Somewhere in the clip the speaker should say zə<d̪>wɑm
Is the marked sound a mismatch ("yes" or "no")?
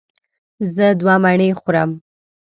no